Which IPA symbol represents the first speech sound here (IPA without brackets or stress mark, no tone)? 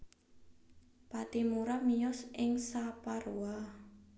p